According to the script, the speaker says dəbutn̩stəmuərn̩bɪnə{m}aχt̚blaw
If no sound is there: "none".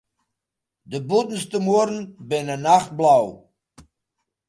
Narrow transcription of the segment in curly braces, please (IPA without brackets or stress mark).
n